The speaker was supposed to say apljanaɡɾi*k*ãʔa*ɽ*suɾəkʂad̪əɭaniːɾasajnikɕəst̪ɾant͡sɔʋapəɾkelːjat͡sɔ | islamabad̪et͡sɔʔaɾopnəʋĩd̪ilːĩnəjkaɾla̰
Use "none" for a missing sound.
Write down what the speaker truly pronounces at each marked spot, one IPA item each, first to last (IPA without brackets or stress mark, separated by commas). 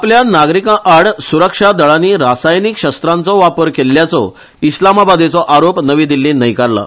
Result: k, ɽ